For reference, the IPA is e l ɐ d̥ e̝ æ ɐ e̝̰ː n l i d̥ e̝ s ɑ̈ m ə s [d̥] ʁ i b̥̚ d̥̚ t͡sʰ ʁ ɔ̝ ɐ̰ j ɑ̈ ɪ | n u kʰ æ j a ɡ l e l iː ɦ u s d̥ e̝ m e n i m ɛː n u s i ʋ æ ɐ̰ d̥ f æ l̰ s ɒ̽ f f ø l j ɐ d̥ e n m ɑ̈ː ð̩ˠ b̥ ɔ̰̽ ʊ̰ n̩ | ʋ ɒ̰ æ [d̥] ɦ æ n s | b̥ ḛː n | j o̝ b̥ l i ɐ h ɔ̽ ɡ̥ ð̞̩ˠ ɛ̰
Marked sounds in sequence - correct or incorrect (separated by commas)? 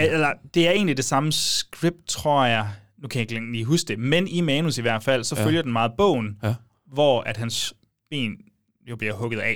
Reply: incorrect, correct